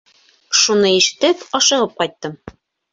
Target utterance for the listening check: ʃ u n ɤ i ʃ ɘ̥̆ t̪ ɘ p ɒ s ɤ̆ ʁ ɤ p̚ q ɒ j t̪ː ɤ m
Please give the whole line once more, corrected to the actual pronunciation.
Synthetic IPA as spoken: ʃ u n ɤ i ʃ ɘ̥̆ t̪ ɘ p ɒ ʃ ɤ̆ ʁ ɤ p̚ q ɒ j t̪ː ɤ m